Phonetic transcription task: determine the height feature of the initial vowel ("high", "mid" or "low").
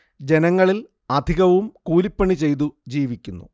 mid